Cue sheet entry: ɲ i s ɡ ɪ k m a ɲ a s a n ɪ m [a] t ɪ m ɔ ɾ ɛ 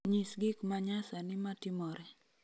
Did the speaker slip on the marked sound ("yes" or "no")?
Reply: no